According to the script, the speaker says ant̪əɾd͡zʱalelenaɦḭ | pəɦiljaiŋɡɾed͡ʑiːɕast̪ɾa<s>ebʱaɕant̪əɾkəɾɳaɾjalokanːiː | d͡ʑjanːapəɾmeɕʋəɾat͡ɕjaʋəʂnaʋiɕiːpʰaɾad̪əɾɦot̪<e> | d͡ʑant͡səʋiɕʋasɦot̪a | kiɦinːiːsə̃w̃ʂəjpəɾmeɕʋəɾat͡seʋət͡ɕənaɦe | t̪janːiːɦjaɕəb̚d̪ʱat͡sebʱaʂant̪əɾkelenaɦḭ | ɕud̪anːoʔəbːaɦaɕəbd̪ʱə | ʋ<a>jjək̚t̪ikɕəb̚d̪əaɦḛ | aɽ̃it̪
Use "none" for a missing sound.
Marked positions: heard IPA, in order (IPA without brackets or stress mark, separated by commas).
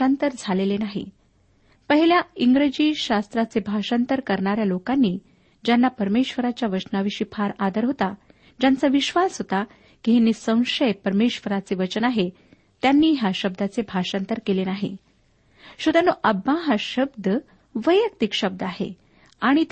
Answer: t͡s, a, ə